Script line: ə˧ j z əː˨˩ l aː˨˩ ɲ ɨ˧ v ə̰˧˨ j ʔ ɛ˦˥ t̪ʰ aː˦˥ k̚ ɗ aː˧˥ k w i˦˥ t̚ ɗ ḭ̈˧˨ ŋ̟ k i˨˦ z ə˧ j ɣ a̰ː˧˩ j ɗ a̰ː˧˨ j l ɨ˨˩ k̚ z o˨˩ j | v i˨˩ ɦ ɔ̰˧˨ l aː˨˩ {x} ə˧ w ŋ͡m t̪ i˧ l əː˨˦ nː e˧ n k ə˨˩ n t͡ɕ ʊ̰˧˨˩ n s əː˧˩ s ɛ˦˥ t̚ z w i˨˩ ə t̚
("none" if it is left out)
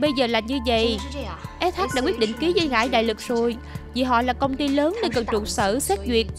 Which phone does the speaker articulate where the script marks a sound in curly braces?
k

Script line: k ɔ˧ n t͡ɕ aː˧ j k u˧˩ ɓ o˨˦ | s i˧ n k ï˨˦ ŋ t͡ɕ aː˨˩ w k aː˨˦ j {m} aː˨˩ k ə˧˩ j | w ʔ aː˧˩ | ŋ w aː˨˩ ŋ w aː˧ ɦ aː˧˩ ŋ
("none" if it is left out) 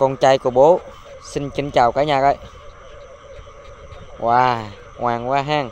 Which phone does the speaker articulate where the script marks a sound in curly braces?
ɲ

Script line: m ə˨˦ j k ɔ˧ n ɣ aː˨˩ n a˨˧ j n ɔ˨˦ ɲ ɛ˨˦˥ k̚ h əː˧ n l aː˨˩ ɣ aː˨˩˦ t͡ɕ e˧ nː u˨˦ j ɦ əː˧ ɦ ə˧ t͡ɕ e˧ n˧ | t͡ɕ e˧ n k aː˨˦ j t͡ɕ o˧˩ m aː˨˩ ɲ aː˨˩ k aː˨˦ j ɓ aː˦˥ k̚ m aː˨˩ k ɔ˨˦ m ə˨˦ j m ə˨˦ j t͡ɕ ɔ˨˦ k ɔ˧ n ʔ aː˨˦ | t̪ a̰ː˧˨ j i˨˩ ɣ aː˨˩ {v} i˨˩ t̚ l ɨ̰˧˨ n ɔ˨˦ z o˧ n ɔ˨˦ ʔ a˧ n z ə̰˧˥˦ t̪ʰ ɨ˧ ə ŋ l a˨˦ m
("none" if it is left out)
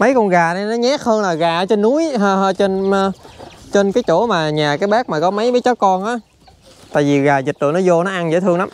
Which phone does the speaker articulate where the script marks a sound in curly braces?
z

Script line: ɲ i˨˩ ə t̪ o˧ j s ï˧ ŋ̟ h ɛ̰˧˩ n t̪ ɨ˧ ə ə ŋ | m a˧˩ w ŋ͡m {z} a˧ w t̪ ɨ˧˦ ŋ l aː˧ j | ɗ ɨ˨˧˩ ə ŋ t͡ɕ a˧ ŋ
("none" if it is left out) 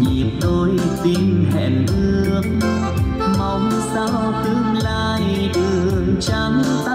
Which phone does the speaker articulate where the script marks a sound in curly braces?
s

